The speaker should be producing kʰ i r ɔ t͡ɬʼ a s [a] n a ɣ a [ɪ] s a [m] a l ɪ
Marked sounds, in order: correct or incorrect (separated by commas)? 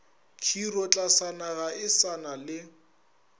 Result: correct, correct, incorrect